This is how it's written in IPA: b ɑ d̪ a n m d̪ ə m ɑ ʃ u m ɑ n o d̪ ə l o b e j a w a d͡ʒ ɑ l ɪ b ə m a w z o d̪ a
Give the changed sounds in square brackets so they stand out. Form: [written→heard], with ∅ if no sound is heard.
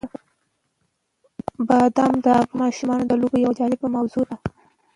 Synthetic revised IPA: b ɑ d̪ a [n→∅] m d̪ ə m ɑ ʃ u m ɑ n o d̪ ə l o b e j a w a d͡ʒ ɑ l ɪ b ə m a w z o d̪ a